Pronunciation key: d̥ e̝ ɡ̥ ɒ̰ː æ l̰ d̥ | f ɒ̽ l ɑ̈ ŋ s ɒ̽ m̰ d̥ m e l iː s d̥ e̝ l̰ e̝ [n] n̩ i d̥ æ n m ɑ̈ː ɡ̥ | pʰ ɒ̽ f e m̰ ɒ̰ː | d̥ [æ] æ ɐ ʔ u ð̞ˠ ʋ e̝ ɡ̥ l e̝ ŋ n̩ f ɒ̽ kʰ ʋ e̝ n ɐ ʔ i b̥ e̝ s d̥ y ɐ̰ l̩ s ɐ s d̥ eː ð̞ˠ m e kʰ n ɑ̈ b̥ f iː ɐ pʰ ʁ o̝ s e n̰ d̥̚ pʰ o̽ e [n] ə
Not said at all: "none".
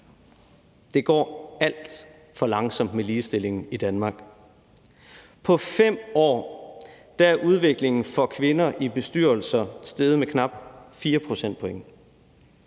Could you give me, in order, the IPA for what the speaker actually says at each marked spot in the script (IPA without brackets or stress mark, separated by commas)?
ŋ, æ, ŋ